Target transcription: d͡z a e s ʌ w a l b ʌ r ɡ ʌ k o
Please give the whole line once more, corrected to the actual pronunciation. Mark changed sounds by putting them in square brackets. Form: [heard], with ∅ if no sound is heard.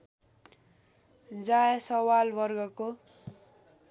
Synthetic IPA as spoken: d͡z a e s ʌ w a l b ʌ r ɡ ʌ k o